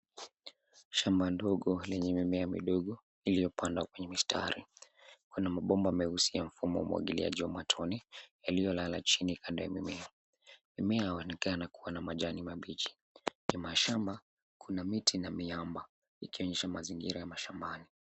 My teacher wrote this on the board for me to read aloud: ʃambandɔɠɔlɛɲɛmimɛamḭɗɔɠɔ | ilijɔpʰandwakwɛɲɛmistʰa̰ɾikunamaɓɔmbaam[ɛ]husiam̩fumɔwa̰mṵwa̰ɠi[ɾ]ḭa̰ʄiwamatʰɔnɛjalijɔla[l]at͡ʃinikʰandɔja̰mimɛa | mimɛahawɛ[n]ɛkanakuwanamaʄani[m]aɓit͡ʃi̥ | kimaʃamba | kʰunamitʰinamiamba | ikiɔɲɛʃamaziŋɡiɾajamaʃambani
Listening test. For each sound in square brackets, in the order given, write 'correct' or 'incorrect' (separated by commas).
correct, incorrect, correct, correct, correct